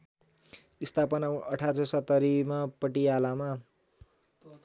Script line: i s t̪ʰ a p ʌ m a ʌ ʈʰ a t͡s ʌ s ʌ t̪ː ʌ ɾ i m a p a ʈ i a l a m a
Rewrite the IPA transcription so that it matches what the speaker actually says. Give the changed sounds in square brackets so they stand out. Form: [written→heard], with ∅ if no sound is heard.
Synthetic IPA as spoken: i s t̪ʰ a p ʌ [m→n] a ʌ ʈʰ a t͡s ʌ s ʌ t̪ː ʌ ɾ i m a p [a→ʌ] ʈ i a l a m a